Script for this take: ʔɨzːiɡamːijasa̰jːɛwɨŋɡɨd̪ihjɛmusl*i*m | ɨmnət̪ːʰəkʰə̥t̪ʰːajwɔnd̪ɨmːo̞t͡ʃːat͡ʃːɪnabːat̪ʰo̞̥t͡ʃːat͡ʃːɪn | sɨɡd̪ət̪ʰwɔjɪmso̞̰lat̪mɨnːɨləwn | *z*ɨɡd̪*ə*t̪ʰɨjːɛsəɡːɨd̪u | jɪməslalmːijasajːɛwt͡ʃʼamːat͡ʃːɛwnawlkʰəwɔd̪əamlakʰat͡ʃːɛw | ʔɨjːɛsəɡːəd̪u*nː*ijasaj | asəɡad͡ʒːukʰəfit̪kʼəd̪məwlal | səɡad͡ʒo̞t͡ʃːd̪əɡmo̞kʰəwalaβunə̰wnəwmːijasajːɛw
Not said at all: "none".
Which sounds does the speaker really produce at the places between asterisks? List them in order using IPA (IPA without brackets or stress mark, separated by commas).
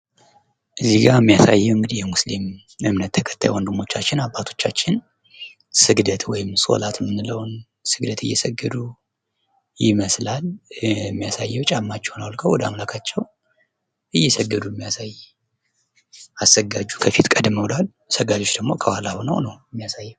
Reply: i, s, ə, mː